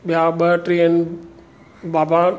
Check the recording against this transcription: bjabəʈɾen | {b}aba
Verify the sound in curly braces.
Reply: correct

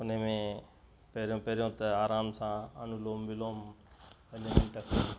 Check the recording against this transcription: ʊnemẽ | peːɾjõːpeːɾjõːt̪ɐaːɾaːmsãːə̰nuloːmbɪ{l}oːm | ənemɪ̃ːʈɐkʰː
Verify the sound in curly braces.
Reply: correct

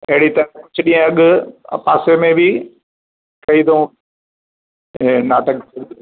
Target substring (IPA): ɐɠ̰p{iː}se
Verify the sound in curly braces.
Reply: incorrect: aː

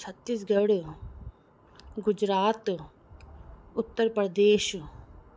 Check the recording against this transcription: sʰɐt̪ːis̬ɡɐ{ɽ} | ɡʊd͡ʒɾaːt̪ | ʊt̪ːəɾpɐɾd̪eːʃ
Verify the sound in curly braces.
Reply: correct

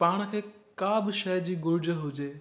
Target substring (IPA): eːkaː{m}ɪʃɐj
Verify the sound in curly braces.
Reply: incorrect: b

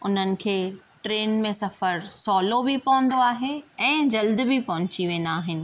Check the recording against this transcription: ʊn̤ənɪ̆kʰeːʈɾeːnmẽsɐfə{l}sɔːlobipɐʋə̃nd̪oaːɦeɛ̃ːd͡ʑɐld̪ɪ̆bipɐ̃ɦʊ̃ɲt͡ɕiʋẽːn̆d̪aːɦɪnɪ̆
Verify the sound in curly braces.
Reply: incorrect: ɾ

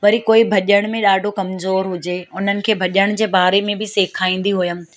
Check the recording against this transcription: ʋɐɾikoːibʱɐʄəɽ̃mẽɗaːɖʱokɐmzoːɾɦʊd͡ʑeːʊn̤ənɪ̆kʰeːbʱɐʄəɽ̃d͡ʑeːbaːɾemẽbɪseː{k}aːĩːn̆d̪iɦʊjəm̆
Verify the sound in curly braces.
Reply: incorrect: kʰ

